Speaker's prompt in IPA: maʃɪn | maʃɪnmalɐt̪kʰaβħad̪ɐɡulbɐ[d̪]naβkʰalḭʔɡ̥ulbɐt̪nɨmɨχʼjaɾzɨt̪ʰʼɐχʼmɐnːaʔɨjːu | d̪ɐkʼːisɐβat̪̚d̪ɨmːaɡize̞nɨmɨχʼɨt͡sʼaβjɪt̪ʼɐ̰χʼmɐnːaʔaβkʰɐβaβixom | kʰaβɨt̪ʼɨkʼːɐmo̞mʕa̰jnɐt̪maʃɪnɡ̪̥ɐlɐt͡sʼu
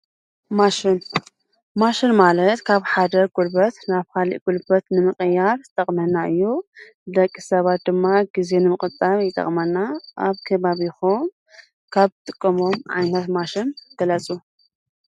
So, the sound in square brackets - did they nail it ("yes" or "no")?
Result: no